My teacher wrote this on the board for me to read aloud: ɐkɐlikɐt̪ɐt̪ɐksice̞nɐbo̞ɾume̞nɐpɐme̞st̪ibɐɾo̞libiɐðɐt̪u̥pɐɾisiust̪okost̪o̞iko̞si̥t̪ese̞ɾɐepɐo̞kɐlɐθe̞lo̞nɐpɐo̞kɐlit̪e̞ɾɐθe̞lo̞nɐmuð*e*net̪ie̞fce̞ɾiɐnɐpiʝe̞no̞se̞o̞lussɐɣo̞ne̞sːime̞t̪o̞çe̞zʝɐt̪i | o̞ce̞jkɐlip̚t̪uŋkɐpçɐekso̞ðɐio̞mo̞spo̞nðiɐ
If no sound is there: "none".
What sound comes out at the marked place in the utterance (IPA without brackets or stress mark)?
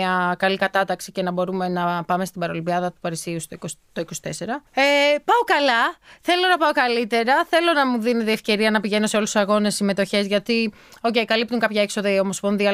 i